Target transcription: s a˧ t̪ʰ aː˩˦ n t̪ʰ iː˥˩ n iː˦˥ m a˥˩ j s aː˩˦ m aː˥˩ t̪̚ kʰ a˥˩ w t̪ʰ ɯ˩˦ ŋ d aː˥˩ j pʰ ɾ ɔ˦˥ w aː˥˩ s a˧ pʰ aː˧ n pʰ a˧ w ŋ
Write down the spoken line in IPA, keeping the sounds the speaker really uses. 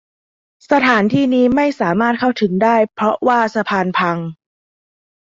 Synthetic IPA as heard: s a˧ t̪ʰ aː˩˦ n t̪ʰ iː˥˩ n iː˦˥ m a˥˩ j s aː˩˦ m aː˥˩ t̪̚ kʰ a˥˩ w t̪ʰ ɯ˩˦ ŋ d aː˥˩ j pʰ ɾ ɔ˦˥ w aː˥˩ s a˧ pʰ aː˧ n pʰ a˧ ŋ